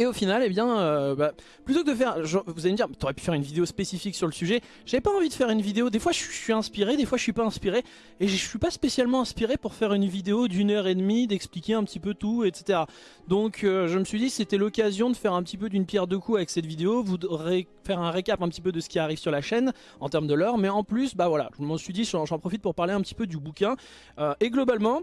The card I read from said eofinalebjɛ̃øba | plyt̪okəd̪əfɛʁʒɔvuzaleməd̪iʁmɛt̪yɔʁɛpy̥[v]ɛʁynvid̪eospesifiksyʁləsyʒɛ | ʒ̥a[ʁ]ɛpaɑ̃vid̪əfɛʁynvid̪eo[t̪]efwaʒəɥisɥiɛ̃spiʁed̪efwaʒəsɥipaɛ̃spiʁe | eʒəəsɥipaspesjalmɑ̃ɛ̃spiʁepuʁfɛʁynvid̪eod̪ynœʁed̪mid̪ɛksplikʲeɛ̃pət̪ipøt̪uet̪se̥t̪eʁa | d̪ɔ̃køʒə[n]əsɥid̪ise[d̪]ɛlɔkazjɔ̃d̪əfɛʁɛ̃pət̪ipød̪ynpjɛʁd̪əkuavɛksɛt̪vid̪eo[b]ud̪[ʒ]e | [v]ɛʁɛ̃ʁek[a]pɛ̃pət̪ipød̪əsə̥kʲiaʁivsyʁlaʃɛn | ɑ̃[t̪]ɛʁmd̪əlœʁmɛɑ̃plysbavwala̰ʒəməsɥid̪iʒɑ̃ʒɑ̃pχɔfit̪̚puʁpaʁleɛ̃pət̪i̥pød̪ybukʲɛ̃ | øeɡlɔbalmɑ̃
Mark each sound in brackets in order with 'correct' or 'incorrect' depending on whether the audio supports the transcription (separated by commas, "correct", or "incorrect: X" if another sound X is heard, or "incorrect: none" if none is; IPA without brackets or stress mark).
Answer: incorrect: f, incorrect: v, incorrect: d̪, incorrect: m, incorrect: t̪, incorrect: v, incorrect: ʁ, incorrect: f, correct, correct